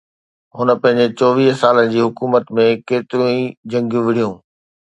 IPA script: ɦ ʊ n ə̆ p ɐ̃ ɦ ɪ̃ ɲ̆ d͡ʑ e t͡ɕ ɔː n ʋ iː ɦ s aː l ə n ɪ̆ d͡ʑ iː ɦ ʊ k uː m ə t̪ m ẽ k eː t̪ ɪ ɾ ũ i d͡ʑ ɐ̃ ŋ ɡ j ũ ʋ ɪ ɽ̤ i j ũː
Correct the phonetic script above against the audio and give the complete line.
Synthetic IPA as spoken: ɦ ʊ n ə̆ p ɐ̃ ɦ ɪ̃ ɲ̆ d͡ʑ e t͡ɕ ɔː ʋ iː ɦ s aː l ə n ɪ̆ d͡ʑ iː ɦ ʊ k uː m ə t̪ m ẽ k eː t̪ ɪ ɾ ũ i d͡ʑ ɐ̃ ŋ ɡ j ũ ʋ ɪ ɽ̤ i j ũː